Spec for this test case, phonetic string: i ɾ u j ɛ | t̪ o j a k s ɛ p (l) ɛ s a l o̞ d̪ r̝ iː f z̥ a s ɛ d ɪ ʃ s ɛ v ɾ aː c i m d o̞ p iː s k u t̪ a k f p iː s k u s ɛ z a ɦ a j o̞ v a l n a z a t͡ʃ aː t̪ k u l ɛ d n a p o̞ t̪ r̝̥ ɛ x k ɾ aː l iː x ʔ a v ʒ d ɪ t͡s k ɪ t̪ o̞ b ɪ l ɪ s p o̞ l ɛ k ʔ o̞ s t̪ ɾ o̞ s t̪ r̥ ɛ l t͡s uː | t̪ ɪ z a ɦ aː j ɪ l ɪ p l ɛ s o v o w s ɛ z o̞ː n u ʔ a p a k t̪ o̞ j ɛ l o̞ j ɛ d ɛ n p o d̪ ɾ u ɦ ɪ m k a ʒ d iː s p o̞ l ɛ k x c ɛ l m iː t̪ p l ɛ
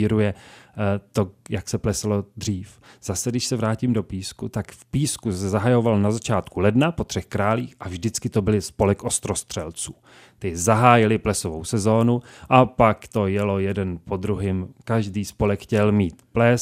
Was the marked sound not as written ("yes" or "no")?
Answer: no